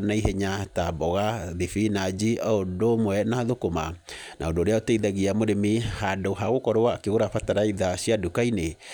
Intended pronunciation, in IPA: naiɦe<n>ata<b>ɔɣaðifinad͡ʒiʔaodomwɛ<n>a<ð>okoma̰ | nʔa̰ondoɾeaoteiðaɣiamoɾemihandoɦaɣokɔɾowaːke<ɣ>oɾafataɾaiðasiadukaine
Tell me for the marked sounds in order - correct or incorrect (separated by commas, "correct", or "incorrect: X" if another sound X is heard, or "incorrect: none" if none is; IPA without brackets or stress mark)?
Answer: incorrect: ɲ, correct, correct, correct, correct